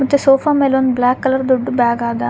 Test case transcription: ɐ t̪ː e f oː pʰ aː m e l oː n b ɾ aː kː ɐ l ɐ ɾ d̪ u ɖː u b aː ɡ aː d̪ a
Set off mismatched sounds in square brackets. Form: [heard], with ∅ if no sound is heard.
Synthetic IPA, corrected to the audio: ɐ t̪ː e [s] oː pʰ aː m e l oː n b [l] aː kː ɐ l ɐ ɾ d̪ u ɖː u b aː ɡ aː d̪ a